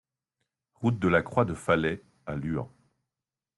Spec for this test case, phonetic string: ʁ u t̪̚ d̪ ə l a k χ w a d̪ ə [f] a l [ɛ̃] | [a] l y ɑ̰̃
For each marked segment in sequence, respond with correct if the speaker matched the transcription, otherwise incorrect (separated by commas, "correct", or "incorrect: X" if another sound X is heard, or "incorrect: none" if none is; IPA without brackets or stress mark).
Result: correct, incorrect: ɛ, correct